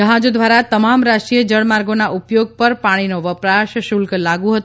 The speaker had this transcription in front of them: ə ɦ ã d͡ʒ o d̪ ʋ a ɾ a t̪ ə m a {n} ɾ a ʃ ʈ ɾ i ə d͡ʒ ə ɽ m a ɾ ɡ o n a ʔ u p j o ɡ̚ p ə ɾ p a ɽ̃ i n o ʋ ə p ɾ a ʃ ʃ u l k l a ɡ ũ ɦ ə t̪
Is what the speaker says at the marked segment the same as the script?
no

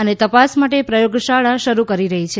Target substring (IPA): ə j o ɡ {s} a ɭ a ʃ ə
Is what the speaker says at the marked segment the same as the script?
no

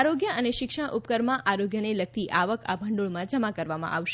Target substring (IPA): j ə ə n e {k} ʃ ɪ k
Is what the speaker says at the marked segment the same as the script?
no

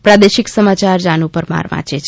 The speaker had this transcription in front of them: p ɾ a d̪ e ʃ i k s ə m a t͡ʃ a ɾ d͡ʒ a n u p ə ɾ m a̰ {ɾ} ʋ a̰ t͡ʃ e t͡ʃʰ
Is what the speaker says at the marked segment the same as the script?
yes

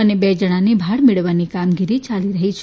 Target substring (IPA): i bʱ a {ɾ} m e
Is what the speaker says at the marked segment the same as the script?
no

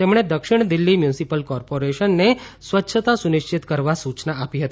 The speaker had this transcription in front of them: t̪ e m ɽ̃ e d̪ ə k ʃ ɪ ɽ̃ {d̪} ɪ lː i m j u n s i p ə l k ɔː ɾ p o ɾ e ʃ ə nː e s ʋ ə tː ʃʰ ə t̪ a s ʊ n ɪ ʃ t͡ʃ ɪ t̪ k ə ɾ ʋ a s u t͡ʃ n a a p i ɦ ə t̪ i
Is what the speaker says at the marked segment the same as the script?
yes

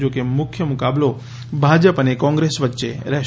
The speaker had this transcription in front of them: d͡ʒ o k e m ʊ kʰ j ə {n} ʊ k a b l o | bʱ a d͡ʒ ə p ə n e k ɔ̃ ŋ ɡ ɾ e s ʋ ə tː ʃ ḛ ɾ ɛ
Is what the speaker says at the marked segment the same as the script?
no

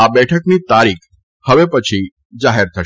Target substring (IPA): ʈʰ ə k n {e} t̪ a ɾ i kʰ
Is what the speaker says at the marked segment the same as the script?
no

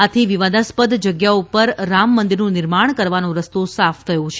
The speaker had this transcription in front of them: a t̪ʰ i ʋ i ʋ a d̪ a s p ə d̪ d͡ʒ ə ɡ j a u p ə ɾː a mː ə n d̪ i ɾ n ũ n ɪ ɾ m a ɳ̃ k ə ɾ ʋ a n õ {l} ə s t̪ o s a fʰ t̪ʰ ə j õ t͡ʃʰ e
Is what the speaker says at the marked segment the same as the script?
no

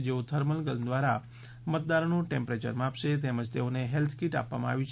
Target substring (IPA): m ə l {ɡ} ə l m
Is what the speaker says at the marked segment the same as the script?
yes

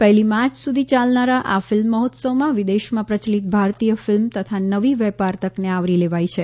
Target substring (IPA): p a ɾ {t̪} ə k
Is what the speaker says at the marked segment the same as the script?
yes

